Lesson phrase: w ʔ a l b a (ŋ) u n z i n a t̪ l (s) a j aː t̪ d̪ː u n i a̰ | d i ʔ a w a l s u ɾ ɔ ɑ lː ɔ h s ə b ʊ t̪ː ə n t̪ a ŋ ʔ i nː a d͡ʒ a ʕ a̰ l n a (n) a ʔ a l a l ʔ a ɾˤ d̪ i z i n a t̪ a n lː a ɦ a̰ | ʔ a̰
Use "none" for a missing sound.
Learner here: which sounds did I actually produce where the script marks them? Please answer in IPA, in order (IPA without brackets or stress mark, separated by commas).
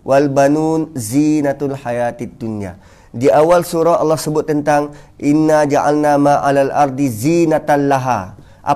n, ħ, m